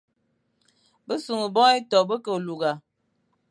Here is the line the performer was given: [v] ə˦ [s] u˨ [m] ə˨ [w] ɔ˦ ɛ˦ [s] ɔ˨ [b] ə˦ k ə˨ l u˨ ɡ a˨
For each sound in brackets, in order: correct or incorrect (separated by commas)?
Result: incorrect, correct, incorrect, incorrect, incorrect, correct